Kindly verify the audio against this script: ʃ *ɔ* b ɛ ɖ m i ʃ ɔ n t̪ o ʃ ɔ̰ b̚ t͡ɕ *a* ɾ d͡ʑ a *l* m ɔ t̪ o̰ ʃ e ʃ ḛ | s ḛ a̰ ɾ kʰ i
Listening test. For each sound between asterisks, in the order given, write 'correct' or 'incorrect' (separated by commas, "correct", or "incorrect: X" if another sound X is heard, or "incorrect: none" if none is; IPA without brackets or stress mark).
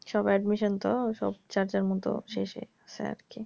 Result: correct, correct, incorrect: ɾ